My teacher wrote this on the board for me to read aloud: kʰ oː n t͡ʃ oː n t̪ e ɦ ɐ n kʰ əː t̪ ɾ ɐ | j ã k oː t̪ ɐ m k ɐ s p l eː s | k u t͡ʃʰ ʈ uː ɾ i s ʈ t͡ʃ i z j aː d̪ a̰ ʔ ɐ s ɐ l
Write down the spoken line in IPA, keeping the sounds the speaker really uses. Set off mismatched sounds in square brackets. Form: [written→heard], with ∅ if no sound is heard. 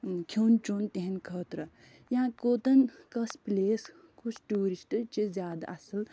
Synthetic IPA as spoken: kʰ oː n t͡ʃ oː n t̪ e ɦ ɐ n kʰ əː t̪ ɾ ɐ | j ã k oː t̪ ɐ [m→n] k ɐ s p l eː s | k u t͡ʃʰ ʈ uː ɾ i s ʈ t͡ʃ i z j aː d̪ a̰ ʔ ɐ s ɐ l